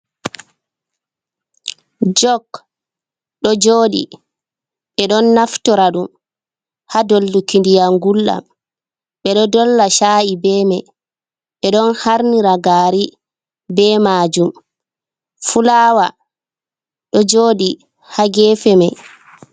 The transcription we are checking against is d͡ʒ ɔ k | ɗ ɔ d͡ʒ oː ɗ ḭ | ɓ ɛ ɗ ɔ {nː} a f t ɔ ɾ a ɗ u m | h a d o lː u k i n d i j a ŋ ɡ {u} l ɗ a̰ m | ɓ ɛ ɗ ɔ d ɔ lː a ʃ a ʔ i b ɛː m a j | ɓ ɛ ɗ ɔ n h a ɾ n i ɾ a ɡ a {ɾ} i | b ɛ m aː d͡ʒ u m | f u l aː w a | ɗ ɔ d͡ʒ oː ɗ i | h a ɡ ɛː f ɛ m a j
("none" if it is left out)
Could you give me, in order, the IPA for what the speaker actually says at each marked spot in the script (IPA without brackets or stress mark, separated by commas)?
nː, u, ɾ